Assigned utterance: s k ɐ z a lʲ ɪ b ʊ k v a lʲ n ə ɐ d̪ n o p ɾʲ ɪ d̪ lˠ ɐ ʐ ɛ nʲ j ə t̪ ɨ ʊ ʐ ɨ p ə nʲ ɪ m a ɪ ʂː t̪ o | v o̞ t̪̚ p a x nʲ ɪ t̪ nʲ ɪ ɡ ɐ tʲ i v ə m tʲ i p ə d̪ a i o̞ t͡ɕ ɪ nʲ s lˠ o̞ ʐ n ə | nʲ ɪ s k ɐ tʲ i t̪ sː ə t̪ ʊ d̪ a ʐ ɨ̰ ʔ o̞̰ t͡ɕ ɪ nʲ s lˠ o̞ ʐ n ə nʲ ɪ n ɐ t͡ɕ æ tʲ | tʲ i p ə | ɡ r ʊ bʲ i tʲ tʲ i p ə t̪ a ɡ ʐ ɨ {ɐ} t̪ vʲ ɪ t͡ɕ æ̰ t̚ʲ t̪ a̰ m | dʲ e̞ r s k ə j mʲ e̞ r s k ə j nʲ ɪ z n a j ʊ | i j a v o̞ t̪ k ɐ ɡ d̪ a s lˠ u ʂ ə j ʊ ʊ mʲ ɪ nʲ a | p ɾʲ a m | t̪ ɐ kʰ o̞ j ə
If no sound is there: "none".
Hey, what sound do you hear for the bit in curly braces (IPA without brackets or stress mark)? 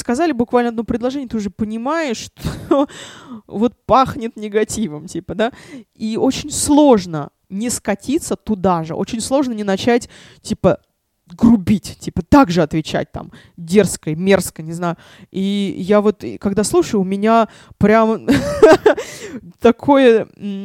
ɐ